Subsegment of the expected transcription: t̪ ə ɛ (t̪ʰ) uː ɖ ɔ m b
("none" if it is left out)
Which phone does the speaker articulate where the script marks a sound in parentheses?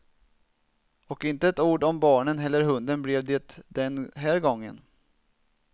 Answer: t̪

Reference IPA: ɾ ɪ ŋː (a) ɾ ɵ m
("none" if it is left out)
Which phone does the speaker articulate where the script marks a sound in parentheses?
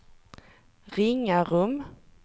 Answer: a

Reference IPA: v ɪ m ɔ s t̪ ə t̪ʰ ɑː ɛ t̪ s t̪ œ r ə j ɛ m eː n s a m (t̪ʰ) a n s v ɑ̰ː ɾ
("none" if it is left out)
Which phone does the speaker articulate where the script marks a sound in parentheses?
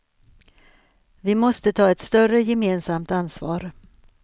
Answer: t̪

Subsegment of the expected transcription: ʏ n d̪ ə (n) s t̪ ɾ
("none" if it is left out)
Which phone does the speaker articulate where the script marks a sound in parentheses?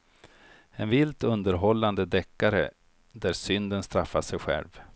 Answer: n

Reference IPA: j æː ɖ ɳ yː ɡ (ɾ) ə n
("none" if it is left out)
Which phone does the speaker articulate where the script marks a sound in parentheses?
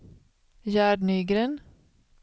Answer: ɾ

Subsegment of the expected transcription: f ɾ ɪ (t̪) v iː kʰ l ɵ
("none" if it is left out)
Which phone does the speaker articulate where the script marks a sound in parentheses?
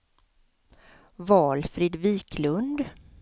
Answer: d̪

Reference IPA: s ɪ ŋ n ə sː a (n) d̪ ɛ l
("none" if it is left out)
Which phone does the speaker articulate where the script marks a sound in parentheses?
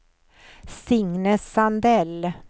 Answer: n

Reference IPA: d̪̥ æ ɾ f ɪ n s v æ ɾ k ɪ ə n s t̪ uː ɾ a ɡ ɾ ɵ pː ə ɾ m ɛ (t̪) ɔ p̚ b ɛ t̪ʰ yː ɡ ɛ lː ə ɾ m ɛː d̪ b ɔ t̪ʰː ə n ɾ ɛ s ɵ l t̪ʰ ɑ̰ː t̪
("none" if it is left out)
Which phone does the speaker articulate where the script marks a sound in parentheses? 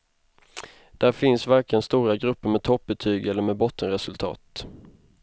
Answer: t̪ʰ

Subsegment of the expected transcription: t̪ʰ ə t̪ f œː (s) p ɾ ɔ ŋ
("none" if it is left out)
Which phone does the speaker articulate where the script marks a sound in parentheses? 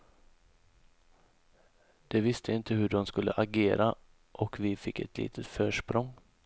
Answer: ʂ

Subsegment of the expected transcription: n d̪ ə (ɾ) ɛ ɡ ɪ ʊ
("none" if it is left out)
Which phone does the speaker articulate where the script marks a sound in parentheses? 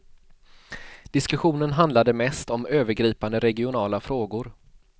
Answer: ɾ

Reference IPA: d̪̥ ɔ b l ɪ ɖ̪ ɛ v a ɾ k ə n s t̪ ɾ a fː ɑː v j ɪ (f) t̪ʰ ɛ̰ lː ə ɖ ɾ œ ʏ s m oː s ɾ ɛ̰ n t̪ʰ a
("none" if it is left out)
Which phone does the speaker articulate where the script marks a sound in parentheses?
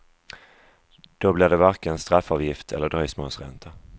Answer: f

